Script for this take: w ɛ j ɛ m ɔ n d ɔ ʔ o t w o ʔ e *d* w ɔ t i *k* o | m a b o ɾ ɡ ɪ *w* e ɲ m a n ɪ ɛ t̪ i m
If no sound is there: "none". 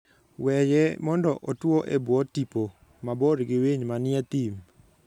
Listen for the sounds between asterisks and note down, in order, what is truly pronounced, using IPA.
b, p, w

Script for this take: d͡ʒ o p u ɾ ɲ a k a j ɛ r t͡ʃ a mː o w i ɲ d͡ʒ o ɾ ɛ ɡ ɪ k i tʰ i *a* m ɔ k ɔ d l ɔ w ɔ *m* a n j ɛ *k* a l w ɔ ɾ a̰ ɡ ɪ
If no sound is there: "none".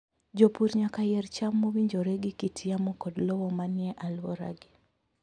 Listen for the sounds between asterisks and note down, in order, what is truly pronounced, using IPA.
a, m, ʔ

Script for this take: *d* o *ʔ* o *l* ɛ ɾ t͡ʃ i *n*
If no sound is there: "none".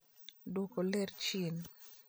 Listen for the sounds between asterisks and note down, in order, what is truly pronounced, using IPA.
d, k, l, n

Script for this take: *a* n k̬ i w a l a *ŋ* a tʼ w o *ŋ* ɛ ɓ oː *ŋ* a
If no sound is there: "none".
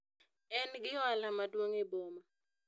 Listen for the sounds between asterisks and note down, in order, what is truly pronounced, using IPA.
ɛ, m, ŋ, m

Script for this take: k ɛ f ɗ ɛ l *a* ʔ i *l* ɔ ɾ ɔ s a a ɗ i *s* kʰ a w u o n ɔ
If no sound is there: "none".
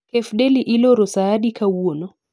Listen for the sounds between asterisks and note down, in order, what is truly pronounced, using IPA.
i, l, none

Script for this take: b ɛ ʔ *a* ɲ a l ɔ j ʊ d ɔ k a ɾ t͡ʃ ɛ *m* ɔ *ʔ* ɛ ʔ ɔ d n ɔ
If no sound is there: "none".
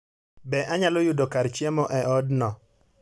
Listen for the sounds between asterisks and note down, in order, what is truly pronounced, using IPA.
a, m, ʔ

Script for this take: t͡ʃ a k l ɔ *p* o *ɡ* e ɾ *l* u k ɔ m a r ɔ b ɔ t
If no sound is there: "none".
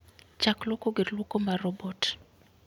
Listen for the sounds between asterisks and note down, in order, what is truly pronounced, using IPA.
k, ɡ, l

